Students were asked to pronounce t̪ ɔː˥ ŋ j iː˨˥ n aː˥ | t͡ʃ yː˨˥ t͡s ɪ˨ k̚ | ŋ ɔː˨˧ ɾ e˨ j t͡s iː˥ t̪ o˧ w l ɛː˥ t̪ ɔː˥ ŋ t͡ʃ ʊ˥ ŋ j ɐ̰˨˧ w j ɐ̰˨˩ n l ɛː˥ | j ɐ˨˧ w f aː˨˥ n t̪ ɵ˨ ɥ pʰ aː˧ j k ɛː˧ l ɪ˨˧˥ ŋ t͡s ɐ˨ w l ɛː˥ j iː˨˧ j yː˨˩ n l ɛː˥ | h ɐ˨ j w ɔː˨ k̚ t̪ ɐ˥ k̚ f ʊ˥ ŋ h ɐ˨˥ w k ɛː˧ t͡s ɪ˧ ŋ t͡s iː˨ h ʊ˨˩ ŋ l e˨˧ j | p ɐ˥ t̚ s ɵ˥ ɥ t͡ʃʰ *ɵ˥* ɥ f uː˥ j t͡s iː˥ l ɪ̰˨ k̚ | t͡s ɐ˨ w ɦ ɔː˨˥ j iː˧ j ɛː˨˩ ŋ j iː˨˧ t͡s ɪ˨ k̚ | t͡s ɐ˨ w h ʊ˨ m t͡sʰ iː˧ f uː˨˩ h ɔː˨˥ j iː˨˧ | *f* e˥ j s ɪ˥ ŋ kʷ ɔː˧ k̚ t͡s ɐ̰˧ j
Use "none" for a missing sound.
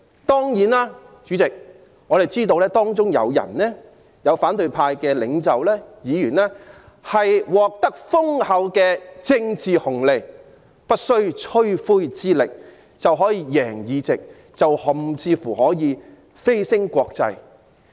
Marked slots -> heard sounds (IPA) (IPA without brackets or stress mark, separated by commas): ɵ˥, f